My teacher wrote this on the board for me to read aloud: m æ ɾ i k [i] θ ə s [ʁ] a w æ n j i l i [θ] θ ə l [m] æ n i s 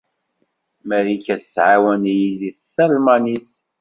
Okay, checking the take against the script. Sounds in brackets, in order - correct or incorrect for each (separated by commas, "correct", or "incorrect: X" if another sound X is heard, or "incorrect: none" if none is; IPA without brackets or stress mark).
incorrect: æ, incorrect: ʕ, correct, correct